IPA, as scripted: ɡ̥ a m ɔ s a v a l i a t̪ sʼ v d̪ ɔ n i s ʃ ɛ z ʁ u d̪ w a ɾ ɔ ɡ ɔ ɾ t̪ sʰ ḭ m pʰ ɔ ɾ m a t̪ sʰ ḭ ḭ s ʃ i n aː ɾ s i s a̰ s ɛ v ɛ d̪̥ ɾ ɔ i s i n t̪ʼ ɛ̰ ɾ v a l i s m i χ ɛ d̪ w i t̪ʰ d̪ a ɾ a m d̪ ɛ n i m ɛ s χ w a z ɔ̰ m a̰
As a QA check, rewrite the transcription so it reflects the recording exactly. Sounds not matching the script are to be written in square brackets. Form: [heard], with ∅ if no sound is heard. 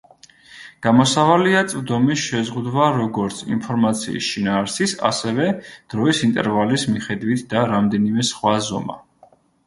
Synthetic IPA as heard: ɡ̥ a m ɔ s a v a l i a t̪ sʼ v d̪ ɔ [m] i s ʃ ɛ z ʁ u d̪ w a ɾ ɔ ɡ ɔ ɾ t̪ sʰ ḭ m pʰ ɔ ɾ m a t̪ sʰ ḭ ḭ s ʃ i n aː ɾ s i s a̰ s ɛ v ɛ d̪̥ ɾ ɔ i s i n t̪ʼ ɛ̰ ɾ v a l i s m i χ ɛ d̪ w i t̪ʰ d̪ a ɾ a m d̪ ɛ n i m ɛ s χ w a z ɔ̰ m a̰